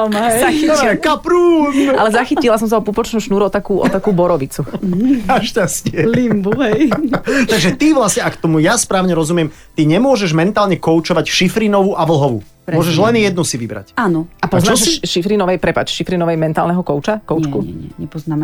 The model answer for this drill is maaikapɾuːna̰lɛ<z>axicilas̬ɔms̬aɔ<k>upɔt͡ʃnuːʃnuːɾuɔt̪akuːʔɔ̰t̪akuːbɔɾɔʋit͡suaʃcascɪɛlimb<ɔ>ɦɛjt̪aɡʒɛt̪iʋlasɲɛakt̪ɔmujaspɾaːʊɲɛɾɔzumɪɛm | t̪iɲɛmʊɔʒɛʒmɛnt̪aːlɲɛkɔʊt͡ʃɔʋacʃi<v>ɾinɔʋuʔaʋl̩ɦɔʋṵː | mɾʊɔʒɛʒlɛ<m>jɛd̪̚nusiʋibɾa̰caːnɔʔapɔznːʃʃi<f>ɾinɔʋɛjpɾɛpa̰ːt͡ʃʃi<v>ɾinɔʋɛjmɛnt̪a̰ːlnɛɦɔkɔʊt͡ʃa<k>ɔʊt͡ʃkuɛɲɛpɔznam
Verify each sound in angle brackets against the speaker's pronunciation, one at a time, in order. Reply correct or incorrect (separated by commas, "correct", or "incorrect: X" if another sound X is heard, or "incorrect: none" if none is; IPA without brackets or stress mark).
correct, incorrect: p, incorrect: u, incorrect: f, incorrect: n, correct, incorrect: f, correct